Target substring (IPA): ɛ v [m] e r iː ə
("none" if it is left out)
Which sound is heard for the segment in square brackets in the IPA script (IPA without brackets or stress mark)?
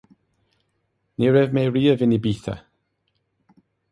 m